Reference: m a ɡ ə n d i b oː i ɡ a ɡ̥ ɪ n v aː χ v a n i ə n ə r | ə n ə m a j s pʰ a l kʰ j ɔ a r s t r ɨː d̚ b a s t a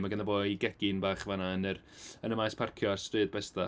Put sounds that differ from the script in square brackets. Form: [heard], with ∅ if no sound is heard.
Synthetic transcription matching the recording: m a ɡ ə n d [a] b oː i ɡ [ɛ] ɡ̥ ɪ n [b] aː χ v a n [a] ə n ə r | ə n ə m a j s pʰ a [r] kʰ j ɔ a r s t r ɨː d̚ b [ɛ] s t a